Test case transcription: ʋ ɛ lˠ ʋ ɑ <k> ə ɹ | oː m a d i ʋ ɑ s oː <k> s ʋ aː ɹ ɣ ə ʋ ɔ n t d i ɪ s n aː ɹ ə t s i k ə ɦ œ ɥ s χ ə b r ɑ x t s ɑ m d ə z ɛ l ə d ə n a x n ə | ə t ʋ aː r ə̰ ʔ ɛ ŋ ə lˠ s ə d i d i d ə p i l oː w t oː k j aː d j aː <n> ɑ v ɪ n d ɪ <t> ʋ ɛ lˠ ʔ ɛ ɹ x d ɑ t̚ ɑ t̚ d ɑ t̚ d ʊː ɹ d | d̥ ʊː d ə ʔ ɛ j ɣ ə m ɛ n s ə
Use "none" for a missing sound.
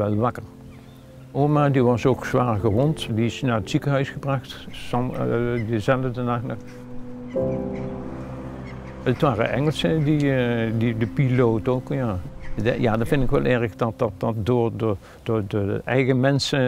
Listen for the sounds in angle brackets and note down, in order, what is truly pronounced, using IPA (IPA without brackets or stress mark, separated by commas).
k, k, d, k